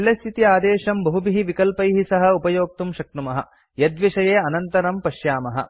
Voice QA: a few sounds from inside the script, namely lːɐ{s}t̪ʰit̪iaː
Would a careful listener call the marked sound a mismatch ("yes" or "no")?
no